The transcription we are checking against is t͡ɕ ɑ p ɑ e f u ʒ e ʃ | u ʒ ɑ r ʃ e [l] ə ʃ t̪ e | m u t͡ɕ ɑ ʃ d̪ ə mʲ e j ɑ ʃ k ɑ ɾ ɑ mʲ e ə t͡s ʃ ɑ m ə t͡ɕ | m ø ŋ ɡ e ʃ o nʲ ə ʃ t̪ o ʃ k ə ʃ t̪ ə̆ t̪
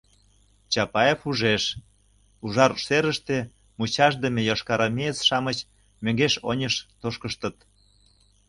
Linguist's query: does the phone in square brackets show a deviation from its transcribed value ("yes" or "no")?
yes